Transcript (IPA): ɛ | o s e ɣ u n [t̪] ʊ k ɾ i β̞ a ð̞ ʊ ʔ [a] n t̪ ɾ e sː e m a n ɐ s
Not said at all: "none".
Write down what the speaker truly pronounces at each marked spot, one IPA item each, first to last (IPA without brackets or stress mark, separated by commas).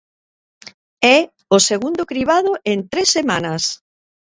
d̪, e